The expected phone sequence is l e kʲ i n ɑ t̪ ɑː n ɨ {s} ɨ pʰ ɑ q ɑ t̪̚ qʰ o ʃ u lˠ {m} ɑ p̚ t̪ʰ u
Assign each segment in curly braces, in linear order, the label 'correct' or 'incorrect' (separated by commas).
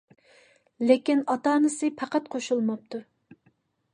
correct, correct